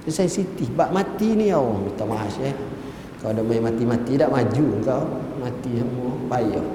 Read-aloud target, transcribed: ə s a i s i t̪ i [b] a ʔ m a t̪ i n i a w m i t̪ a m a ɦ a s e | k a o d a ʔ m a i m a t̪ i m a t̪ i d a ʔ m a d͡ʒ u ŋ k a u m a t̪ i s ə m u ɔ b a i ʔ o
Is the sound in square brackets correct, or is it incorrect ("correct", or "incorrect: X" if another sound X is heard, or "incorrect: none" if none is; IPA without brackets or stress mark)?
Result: correct